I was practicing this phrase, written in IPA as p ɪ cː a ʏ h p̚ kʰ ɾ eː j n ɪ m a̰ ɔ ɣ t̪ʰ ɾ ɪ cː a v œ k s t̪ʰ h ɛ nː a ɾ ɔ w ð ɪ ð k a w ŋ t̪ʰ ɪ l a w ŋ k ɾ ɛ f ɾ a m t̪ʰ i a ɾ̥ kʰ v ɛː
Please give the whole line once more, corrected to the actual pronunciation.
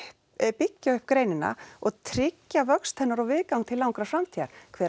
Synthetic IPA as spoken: p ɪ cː a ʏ h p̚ k ɾ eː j n ɪ n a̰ ɔ ɣ t̪ʰ ɾ ɪ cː a v œ k s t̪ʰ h ɛ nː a ɾ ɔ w v ɪ ð k a w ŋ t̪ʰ ɪ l a w ŋ k ɾ a f ɾ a m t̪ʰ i a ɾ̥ kʰ v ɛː

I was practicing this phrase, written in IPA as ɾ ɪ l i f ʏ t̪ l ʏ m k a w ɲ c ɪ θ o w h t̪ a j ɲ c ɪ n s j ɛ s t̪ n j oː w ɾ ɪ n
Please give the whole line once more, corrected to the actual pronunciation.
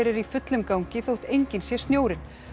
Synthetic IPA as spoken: ɾ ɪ ɾ i f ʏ t̪ l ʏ m k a w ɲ c ɪ θ o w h t̪ e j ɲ c ɪ n s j ɛ s t̪ n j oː w ɾ ɪ n

